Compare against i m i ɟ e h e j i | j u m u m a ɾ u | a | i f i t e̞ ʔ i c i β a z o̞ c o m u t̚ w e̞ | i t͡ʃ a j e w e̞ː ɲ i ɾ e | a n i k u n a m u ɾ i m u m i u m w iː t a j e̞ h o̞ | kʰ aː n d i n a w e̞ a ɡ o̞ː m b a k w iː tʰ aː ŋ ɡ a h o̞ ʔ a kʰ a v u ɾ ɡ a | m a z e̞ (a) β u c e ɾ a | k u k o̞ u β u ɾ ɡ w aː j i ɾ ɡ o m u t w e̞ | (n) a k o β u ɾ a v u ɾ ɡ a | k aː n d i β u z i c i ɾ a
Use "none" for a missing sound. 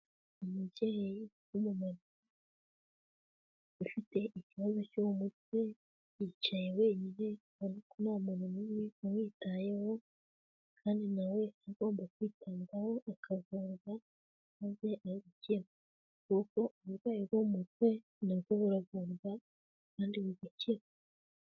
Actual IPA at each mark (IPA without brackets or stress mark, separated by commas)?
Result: a, n